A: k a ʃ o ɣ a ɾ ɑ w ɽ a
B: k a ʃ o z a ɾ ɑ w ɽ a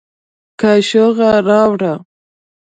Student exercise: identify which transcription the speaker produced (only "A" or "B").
A